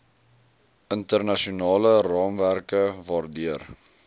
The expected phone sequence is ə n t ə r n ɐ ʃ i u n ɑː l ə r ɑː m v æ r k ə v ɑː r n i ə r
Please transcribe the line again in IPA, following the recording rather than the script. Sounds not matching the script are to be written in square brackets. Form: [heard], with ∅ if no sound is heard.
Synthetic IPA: ə n t ə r n ɐ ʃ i u n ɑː l ə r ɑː m v æ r k ə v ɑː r [d] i ə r